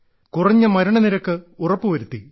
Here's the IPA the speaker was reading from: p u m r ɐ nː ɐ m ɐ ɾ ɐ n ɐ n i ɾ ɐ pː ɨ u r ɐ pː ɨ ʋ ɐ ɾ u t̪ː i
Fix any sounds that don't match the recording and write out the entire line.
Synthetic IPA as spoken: k u r ɐ ɲː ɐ m ɐ ɾ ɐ ɳ ɐ n i ɾ ɐ kː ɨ u r ɐ pː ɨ ʋ ɐ ɾ u t̪ː i